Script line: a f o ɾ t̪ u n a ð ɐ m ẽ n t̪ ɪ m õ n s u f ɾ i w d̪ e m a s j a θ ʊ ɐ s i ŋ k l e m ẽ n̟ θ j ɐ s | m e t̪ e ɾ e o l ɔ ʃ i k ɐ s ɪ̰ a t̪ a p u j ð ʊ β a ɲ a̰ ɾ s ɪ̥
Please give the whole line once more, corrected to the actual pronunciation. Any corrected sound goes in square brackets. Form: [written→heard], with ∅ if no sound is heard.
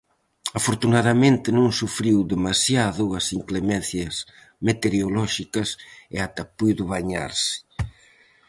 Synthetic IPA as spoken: a f o ɾ t̪ u n a ð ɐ m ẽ n t̪ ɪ [m→n] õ [n→ŋ] s u f ɾ i w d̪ e m a s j a [θ→ð] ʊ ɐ s i ŋ k l e m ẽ n̟ θ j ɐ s | m e t̪ e ɾ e o l ɔ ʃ i k ɐ s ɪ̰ a t̪ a p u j ð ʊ β a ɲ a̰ ɾ s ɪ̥